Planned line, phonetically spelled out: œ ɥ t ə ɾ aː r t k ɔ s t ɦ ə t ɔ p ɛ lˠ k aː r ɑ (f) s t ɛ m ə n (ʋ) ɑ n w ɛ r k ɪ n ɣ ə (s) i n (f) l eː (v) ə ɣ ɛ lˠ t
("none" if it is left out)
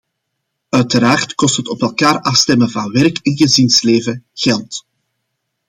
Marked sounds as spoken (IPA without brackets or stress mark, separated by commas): f, v, z, s, v